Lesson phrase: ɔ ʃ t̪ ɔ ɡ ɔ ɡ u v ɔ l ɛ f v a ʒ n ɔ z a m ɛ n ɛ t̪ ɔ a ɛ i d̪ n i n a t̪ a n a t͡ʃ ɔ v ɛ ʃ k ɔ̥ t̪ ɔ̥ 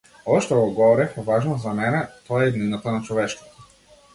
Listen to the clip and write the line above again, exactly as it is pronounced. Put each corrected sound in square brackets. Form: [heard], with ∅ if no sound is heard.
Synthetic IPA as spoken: ɔ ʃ t̪ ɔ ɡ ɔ ɡ [ɔ] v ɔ [ɾ] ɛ f v a ʒ n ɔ z a m ɛ n ɛ t̪ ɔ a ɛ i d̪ n i n a t̪ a n a t͡ʃ ɔ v ɛ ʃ k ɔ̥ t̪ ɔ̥